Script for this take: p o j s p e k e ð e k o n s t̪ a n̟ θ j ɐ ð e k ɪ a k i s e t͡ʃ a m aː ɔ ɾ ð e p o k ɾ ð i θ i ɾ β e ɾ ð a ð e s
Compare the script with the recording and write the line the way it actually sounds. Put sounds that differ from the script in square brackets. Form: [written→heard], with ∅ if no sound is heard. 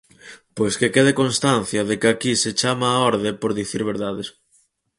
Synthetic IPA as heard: p o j s [p→k] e k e ð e k o n s t̪ a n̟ θ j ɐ ð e k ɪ a k i s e t͡ʃ a m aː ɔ ɾ ð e p o [k→∅] ɾ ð i θ i ɾ β e ɾ ð a ð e s